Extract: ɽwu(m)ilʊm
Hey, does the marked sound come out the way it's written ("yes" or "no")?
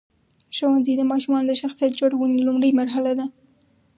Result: no